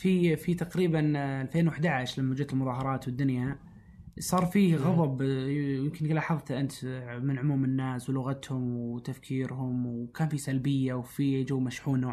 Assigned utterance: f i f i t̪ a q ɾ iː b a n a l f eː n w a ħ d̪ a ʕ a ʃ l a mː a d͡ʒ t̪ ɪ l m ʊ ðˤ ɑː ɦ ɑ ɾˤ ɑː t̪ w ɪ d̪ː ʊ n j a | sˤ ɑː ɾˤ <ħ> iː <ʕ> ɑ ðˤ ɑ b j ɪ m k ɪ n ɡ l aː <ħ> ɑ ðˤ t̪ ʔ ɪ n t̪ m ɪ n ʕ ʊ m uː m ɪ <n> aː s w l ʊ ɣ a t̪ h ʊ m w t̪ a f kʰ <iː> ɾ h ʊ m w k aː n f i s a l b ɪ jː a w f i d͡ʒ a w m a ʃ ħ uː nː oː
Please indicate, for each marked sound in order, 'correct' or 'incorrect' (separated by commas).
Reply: incorrect, incorrect, correct, incorrect, correct